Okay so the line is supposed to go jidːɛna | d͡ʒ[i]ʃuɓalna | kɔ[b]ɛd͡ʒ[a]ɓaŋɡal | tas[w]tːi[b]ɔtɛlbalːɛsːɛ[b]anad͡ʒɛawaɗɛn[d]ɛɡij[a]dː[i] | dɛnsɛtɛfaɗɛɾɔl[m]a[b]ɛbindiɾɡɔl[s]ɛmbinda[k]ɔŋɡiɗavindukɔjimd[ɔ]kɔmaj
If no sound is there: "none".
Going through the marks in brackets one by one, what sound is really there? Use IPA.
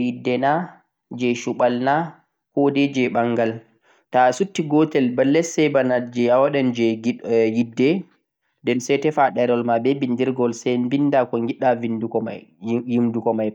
ɛ, d, ɛ, u, ɡ, b, d͡ʒ, i, ɛ, m, b, s, k, u

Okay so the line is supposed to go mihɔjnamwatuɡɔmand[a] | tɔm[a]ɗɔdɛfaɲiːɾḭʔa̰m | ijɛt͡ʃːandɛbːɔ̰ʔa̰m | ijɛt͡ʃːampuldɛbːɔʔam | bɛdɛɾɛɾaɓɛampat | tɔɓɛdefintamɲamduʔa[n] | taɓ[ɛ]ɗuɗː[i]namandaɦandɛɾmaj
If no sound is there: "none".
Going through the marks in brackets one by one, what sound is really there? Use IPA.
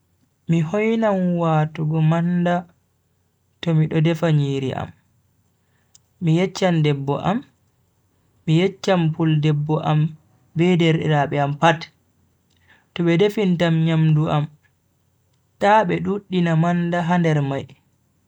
a, i, m, ɛ, i

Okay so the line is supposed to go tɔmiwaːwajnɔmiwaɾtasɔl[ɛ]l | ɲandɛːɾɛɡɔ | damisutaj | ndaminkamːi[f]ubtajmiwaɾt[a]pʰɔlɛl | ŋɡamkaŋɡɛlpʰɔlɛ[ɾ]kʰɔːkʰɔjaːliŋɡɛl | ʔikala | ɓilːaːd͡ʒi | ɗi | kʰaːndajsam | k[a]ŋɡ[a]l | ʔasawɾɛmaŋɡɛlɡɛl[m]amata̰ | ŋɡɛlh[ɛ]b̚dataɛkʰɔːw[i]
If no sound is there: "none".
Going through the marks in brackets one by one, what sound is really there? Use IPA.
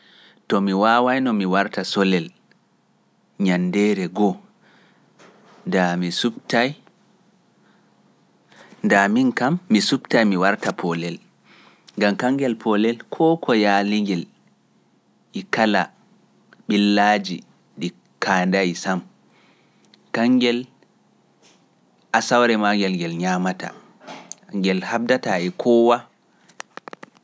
ɛ, s, a, l, a, ɛ, ɲ, a, a

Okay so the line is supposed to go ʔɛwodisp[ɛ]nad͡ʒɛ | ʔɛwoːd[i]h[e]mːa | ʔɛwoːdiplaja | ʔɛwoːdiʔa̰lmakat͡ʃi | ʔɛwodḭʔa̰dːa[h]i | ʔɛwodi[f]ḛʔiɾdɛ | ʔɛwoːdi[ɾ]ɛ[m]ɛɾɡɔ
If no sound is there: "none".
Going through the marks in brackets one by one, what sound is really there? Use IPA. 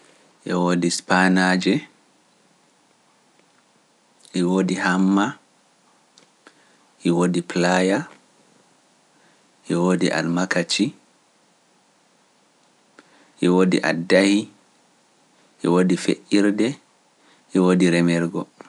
a, i, a, h, f, ɾ, m

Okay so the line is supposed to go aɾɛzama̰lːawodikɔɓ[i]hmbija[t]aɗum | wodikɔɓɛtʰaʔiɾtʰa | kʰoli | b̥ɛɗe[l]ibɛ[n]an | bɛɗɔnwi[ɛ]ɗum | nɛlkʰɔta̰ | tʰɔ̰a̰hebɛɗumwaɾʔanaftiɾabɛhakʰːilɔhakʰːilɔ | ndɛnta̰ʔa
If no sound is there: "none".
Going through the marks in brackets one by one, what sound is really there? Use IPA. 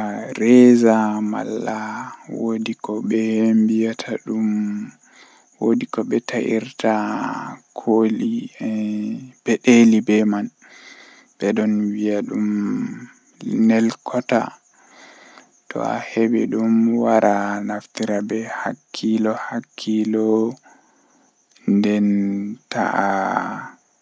ɛ, tʰ, l, m, a

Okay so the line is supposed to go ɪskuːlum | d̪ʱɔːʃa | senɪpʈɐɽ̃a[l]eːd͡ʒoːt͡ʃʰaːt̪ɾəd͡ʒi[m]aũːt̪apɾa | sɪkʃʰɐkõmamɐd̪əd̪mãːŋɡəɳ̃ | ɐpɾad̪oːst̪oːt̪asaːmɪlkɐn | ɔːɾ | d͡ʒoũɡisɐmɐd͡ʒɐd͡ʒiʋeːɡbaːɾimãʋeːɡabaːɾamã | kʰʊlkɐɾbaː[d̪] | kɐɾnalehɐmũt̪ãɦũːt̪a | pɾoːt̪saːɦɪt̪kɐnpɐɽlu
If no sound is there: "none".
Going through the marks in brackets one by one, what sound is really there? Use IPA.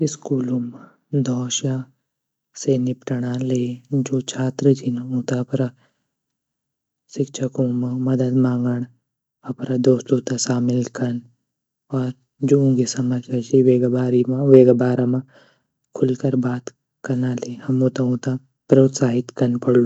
l, n, t̪

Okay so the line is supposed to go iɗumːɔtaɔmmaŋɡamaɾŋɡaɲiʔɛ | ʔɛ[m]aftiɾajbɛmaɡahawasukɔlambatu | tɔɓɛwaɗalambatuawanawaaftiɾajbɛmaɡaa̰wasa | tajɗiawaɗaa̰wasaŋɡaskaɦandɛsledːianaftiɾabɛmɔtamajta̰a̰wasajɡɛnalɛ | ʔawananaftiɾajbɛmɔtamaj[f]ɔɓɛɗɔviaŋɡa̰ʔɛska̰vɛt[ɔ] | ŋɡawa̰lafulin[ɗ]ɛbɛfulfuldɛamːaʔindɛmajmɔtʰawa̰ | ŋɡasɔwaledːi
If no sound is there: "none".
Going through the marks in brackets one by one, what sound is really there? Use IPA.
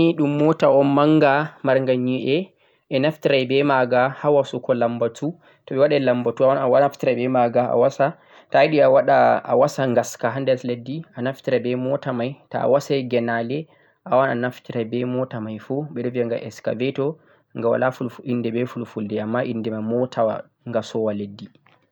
n, f, ɔ, d

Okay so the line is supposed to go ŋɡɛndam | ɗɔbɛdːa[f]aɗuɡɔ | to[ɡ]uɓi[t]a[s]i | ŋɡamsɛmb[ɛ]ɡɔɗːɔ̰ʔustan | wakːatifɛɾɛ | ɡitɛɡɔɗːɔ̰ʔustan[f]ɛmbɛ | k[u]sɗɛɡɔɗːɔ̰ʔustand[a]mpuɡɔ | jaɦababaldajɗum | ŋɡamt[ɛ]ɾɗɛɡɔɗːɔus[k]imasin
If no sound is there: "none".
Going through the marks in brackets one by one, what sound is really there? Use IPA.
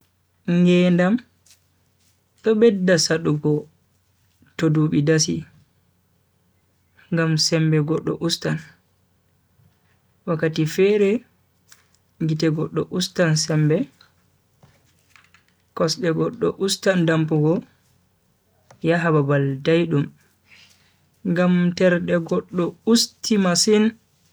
s, d, d, s, ɛ, s, ɔ, a, ɛ, t

